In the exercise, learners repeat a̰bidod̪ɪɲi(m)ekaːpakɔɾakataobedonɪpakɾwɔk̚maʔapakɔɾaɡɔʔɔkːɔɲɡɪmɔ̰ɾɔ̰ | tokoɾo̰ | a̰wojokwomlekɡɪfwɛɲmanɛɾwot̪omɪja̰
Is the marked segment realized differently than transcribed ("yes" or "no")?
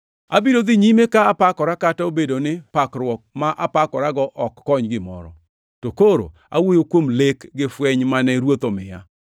no